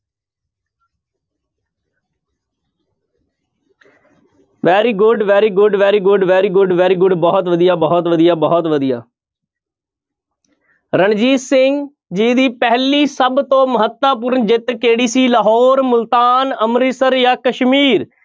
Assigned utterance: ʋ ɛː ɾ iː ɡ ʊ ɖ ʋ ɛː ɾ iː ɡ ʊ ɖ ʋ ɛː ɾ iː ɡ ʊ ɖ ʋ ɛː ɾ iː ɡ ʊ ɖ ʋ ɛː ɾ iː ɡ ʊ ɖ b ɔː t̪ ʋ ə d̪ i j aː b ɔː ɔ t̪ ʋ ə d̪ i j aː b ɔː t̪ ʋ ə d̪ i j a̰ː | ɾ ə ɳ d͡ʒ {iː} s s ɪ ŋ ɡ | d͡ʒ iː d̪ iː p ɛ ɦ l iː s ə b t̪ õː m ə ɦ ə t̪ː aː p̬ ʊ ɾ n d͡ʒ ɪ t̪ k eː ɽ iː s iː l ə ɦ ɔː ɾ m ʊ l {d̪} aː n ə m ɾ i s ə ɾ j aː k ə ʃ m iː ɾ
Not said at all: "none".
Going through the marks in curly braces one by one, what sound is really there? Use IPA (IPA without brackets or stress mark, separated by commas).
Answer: iː, t̪